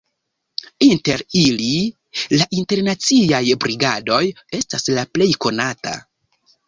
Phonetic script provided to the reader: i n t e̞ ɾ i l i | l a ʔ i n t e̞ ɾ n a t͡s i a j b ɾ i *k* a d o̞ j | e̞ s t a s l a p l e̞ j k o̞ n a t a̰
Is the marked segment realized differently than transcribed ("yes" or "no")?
yes